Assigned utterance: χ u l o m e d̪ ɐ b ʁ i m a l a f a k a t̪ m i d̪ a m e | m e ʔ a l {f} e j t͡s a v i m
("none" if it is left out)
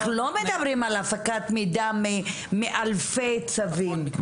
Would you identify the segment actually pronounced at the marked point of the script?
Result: f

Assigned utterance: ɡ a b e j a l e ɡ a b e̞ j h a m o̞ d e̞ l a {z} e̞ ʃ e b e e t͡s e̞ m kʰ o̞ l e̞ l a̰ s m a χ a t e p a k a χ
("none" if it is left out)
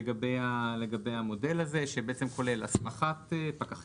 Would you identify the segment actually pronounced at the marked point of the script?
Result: z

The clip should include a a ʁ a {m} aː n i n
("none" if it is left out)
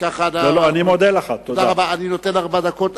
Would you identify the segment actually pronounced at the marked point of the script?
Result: b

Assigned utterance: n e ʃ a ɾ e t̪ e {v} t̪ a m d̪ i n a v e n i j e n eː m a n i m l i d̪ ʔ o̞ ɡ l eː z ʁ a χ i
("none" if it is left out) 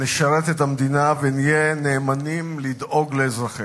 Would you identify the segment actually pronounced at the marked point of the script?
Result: none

